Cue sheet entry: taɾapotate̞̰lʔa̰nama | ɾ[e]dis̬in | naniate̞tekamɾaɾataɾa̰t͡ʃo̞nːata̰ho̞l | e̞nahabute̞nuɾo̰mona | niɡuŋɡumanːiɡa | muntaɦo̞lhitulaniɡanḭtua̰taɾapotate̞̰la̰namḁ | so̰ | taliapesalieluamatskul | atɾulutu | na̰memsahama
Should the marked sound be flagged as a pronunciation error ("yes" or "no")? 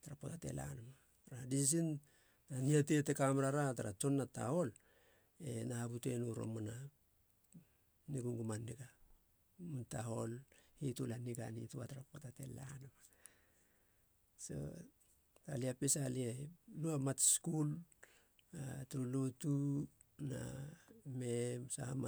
yes